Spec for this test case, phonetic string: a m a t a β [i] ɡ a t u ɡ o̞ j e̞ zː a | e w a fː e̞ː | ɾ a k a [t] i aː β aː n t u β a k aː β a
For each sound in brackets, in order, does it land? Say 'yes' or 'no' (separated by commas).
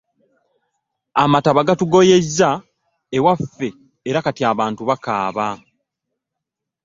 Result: no, yes